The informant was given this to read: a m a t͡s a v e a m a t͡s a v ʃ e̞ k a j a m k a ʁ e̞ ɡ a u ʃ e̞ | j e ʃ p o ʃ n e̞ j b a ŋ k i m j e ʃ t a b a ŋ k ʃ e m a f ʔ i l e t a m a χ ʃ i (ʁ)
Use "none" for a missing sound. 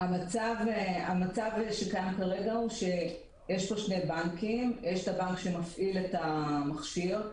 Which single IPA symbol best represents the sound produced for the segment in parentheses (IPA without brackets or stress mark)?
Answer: ʁ